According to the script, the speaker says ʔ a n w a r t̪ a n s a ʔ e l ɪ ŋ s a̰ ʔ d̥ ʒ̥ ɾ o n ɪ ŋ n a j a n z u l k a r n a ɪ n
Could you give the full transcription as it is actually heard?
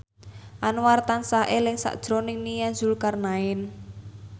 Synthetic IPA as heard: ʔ a n w a r t̪ a n s a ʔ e l ɪ ŋ s a̰ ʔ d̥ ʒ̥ ɾ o n ɪ ŋ n i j a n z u l k a r n a ɪ n